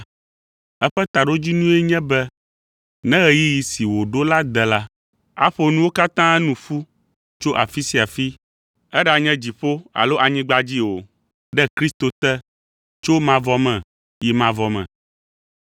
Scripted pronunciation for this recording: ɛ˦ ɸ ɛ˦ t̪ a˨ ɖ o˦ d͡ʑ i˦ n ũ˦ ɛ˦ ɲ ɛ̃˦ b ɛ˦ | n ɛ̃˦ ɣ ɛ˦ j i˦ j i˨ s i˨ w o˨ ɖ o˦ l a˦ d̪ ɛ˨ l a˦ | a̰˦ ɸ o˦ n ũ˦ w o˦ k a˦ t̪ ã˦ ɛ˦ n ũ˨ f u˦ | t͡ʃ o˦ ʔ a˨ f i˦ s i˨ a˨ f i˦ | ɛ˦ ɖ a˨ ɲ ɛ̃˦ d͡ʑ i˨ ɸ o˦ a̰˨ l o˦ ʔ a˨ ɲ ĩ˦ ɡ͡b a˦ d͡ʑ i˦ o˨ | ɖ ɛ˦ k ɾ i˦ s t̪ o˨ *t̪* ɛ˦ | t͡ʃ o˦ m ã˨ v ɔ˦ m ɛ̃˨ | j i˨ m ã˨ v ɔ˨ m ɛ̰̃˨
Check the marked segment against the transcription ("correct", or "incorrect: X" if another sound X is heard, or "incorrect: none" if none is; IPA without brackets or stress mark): correct